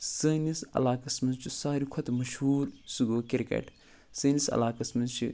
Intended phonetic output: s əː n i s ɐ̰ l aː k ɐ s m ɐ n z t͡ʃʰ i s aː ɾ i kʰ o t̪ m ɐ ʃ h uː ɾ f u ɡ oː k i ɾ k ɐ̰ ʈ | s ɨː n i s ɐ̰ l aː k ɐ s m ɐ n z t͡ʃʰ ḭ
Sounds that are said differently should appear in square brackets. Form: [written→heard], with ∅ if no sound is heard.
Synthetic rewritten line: s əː n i s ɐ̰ l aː k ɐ s m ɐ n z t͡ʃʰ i s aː ɾ i kʰ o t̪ m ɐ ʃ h uː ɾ [f→s] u ɡ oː k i ɾ k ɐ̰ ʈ | s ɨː n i s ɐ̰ l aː k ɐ s m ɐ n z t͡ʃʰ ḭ